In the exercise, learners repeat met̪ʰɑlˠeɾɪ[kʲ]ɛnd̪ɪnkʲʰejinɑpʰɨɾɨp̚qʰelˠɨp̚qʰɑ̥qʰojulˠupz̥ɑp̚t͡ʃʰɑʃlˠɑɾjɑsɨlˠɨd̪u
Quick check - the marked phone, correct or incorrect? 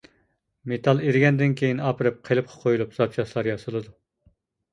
incorrect